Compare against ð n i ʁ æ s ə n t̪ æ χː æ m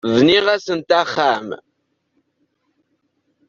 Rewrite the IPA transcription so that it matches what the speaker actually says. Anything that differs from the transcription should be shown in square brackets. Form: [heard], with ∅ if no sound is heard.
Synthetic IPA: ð n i ʁ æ s ə n t̪ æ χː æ m